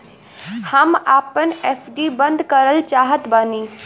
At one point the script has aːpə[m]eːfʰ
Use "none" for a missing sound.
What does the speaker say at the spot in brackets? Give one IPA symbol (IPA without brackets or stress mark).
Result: n